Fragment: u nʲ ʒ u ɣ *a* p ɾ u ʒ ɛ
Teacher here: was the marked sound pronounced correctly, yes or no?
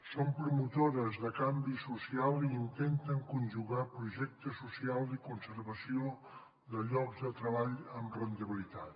yes